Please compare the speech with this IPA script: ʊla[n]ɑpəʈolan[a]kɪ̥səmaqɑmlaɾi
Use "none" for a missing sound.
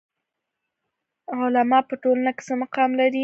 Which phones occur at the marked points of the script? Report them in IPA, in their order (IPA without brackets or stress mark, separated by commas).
m, a